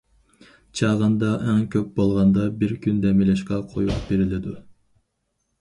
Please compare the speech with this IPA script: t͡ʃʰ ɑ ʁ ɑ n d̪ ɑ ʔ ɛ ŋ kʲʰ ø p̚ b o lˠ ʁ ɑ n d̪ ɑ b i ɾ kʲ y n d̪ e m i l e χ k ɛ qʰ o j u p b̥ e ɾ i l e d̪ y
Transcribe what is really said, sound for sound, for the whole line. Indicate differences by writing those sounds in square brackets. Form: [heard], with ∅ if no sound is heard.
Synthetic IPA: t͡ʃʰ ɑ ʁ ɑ n d̪ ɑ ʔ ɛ ŋ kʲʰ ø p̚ b o lˠ ʁ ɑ n d̪ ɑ b i ɾ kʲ y n d̪ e m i l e [ʃ] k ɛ qʰ o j u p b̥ e ɾ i l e d̪ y